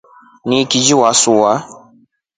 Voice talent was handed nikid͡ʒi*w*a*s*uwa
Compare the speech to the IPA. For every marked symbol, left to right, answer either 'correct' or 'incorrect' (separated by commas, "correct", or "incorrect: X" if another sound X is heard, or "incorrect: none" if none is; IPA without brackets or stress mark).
correct, correct